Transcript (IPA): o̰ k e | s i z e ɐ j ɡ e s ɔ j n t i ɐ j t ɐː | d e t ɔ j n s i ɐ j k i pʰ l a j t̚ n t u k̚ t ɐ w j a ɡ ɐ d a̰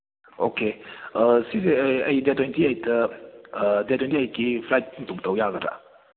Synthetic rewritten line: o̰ k e | s i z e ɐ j d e t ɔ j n t i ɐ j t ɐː | d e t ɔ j n t i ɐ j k i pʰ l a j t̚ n t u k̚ t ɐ w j a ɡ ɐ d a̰